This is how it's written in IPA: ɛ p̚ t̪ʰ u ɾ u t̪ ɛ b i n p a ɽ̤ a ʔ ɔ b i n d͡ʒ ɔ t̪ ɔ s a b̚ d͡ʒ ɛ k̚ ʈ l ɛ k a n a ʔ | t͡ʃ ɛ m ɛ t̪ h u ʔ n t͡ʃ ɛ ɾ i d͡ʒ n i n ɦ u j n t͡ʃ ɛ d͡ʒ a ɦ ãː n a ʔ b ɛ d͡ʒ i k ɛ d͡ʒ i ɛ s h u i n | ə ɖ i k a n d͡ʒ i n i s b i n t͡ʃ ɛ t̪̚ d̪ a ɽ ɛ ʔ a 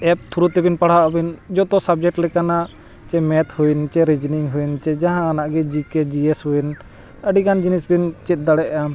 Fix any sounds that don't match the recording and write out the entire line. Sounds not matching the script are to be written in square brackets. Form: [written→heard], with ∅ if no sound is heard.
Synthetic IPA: ɛ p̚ t̪ʰ u ɾ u t̪ ɛ b i n p a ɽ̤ a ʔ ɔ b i n d͡ʒ ɔ t̪ ɔ s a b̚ d͡ʒ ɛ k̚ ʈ l ɛ k a n a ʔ | t͡ʃ ɛ m ɛ t̪ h u [ʔ→∅] n t͡ʃ ɛ ɾ i d͡ʒ n i [n→ŋ] ɦ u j n t͡ʃ ɛ d͡ʒ a ɦ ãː n a ʔ [b→ɡ] ɛ d͡ʒ i k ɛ d͡ʒ i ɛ s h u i n | ə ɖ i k a n d͡ʒ i n i s b i n t͡ʃ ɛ t̪̚ d̪ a ɽ ɛ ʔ a